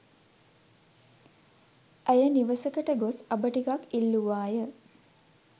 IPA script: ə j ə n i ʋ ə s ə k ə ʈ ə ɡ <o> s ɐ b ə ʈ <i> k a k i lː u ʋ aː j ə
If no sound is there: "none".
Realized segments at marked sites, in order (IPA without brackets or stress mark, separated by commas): o, i